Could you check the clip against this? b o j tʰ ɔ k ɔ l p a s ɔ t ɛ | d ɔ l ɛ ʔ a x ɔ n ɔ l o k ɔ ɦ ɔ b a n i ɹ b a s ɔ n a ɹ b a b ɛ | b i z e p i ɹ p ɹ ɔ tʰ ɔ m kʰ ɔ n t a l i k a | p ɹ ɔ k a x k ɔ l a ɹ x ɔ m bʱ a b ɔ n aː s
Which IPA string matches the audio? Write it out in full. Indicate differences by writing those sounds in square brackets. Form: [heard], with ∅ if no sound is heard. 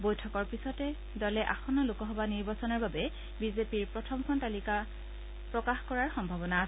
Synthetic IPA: b o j tʰ ɔ k ɔ [ɹ] p [i] s ɔ t ɛ | d ɔ l ɛ ʔ a x ɔ n ɔ l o k ɔ ɦ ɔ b a n i ɹ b a s ɔ n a ɹ b a b ɛ | b i z e p i ɹ p ɹ ɔ tʰ ɔ m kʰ ɔ n t a l i k a | p ɹ ɔ k a x k ɔ [ɹ] a ɹ x ɔ m bʱ a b ɔ n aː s